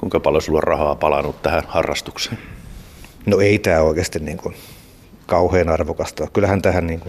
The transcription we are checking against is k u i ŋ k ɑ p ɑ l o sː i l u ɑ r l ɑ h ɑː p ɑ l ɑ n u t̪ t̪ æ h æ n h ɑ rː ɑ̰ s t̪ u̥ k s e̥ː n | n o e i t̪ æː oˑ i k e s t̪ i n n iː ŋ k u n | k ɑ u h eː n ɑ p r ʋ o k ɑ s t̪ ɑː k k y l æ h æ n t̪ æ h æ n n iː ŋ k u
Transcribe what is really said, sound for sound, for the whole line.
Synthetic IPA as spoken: k u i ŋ k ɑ p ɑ l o s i l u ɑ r r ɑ h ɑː p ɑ l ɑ n u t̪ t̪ æ h æ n h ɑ rː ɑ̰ s t̪ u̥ k s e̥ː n | n o e i t̪ æː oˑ i k e s t̪ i n n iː ŋ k u n | k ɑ u h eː n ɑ r ʋ o k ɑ s t̪ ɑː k k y l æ h æ n t̪ æ h æ n n iː ŋ k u